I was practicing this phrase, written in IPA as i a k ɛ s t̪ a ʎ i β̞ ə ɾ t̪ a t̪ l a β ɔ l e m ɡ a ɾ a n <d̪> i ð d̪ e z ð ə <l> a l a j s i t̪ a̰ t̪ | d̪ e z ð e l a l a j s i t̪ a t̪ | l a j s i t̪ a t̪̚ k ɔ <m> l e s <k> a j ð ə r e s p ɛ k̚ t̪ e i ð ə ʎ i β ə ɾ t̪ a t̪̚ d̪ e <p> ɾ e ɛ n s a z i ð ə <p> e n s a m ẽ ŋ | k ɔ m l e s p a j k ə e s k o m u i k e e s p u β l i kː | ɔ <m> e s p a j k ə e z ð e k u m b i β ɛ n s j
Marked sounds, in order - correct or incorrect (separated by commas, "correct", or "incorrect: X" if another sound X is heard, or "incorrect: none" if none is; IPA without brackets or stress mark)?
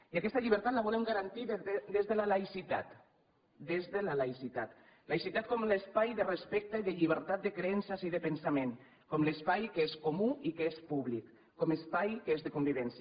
incorrect: t̪, correct, correct, incorrect: p, incorrect: k, correct, correct